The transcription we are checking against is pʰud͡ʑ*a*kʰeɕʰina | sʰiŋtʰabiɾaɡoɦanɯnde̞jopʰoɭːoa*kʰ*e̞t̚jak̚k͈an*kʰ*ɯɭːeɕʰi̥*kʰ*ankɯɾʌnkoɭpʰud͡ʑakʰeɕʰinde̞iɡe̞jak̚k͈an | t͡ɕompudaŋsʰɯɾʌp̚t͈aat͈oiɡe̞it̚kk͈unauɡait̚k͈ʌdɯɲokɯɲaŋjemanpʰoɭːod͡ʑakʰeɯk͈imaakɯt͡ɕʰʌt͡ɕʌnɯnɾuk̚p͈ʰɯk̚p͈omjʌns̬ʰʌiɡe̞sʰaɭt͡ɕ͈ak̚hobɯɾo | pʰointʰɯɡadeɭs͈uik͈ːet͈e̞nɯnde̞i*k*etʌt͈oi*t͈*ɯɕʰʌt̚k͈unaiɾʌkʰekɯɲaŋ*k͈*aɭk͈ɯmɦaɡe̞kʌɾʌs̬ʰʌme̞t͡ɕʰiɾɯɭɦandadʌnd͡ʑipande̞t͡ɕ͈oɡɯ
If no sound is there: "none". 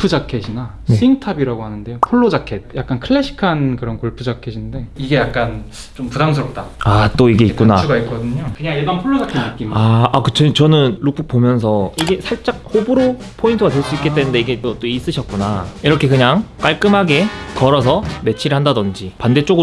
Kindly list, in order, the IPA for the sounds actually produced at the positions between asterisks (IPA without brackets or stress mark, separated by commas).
a, kʰ, kʰ, kʰ, ɡ, s͈, k͈